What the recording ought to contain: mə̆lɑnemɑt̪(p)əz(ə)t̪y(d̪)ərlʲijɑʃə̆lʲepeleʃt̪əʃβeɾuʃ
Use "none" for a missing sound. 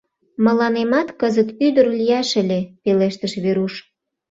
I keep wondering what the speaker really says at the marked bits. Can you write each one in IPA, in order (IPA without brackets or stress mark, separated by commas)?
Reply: k, ə, d̪